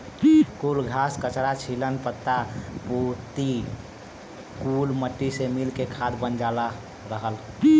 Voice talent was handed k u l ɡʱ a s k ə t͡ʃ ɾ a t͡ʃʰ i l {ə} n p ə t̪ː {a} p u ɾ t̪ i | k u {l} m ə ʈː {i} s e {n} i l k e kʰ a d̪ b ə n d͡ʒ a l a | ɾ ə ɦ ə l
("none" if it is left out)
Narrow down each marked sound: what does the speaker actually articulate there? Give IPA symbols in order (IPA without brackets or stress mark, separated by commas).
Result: ə, a, l, i, m